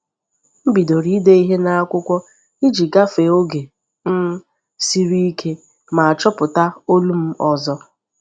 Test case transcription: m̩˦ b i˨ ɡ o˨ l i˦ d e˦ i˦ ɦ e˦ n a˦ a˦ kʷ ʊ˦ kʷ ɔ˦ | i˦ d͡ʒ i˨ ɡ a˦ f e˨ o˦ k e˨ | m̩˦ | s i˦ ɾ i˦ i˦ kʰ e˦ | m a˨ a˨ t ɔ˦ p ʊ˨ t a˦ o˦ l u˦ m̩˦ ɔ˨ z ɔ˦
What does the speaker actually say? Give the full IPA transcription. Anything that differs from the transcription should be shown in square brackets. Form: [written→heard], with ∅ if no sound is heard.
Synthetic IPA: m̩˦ b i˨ [ɡ→d] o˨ [l→ɾ] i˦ d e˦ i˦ ɦ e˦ n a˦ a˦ kʷ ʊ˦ kʷ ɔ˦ | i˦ d͡ʒ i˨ ɡ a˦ f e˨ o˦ [k→ɡ] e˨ | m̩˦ | s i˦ ɾ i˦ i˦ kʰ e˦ | m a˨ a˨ [t→t͡ʃ] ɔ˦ p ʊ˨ t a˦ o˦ l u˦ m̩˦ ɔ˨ z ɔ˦